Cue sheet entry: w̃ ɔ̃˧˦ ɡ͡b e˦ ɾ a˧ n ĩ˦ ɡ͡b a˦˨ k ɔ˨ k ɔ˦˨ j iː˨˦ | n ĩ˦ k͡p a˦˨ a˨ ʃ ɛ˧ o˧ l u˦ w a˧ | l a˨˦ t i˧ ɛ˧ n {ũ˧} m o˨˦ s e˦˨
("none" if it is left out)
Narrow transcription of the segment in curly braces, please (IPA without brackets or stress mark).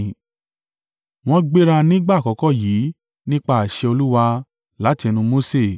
ũ˧